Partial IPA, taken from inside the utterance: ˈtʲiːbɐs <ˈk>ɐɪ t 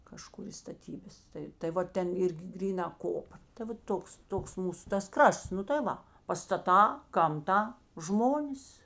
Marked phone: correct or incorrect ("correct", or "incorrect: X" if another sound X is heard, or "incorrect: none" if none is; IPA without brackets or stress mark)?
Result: incorrect: t